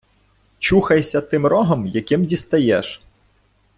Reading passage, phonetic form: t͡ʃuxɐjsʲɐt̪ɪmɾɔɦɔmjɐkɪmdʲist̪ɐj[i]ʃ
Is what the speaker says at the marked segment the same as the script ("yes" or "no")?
no